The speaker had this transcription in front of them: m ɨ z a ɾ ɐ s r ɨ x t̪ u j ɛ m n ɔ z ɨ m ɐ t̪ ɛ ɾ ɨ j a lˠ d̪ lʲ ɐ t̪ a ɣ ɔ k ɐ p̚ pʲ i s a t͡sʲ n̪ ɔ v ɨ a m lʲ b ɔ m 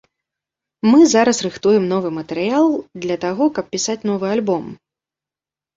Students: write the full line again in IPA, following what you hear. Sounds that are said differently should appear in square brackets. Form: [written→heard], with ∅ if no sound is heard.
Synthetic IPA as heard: m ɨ z a ɾ ɐ s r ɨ x t̪ u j ɛ m n ɔ [z→v] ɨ m ɐ t̪ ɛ ɾ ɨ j a lˠ d̪ lʲ ɐ t̪ a ɣ ɔ k ɐ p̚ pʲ i s a t͡sʲ n̪ ɔ v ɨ a [m→∅] lʲ b ɔ m